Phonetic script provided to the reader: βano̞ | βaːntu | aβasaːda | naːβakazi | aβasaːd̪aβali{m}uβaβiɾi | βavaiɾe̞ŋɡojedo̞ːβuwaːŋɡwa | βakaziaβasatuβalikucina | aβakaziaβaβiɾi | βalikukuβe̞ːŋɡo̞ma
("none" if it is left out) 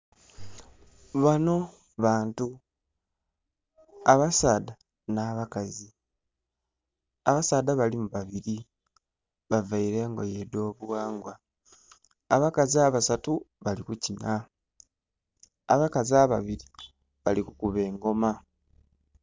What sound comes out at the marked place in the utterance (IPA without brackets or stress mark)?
m